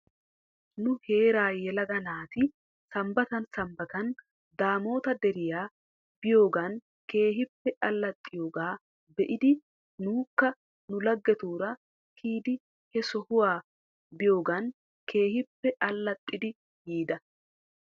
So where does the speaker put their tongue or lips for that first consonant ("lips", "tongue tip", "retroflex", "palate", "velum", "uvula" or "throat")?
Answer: tongue tip